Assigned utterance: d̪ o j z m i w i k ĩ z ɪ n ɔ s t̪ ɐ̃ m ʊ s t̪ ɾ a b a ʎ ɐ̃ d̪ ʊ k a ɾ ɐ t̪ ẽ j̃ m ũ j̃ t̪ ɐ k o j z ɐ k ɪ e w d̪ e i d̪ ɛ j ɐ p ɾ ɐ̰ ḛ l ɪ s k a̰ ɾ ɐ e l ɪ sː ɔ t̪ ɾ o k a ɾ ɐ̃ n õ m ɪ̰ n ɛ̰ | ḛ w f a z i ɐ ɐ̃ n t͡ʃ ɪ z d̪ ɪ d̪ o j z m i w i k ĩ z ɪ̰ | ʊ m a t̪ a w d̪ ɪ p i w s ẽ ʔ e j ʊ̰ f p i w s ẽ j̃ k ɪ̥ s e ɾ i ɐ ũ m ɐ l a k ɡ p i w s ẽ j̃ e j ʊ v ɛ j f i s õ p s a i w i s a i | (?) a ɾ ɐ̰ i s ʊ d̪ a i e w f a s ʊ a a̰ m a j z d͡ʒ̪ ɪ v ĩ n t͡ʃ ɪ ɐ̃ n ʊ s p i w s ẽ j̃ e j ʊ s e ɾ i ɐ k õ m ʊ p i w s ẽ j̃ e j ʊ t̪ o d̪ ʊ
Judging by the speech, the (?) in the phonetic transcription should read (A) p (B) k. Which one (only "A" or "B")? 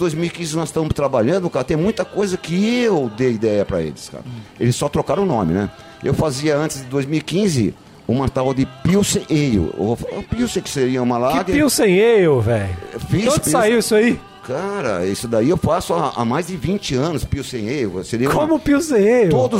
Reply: B